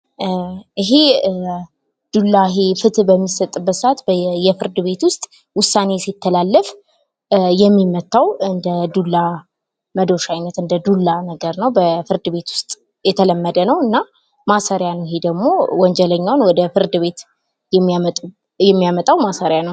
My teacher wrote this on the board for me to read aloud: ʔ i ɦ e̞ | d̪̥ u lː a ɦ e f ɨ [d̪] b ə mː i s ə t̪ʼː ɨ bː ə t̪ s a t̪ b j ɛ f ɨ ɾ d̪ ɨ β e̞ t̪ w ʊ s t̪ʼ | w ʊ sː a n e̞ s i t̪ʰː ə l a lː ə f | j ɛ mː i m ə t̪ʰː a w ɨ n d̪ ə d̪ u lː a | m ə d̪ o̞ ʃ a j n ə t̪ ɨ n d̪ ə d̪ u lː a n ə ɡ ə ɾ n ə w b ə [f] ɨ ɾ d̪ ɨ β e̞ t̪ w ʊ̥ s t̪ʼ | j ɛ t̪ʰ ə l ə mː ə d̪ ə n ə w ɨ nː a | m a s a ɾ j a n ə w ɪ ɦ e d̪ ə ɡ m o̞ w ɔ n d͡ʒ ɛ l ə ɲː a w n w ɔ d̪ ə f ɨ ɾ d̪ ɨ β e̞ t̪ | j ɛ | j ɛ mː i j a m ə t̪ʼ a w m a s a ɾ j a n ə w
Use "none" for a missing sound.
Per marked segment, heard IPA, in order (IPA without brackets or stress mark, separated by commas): t̪, f